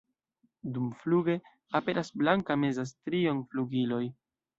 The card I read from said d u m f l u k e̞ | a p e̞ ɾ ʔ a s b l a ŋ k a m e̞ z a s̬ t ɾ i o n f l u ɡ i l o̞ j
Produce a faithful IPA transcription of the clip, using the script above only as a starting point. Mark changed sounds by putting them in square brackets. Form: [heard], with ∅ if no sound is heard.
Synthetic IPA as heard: d u m f l u [ɡ] e̞ | a p e̞ ɾ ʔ a s b l a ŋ k a m e̞ z a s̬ t ɾ i o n f l u ɡ i l o̞ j

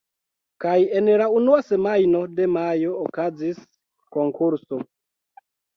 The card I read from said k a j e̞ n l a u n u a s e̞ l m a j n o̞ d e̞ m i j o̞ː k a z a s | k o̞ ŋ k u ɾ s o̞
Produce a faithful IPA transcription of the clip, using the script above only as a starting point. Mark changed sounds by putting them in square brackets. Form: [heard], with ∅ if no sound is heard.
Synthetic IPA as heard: k a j e̞ n l a u n u a s e̞ [∅] m a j n o̞ d e̞ m [a] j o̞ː k a z [i] s | k o̞ ŋ k u ɾ s o̞

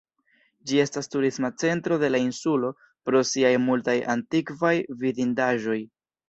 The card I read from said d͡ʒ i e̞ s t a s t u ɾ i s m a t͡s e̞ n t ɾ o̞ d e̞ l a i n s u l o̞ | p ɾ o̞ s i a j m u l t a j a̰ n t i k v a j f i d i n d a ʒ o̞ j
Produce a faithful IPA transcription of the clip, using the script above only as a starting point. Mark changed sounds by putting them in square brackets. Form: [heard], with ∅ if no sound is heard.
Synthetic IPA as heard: d͡ʒ i e̞ s t a s t u ɾ i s m a t͡s e̞ n t ɾ o̞ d e̞ l a i n s u l o̞ | p ɾ o̞ s i a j m u l t a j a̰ n t i k v a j [v] i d i n d a ʒ o̞ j

